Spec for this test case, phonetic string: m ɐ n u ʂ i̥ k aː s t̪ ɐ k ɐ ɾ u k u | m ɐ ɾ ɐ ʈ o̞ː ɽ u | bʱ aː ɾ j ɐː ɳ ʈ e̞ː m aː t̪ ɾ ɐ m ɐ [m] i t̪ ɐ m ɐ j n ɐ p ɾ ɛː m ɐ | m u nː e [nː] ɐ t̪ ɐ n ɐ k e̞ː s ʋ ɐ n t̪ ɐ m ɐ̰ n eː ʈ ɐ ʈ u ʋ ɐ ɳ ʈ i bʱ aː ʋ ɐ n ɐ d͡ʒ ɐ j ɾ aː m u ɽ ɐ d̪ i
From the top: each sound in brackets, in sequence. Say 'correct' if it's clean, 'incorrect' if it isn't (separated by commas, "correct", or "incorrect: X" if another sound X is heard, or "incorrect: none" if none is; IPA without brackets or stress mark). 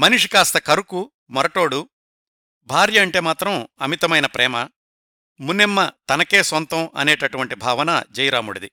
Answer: correct, incorrect: mː